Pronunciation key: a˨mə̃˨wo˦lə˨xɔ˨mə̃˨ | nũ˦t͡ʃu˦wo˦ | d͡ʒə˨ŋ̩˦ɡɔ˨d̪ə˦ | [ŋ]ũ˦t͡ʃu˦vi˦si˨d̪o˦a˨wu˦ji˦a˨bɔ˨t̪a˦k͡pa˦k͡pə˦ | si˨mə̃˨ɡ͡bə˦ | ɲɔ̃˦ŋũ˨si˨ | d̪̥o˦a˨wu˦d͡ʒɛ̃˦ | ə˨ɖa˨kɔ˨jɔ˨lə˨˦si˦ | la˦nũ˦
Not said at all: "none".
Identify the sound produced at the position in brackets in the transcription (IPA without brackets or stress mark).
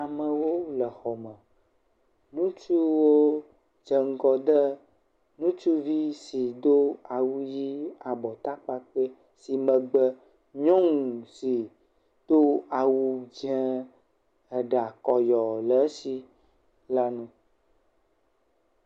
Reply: n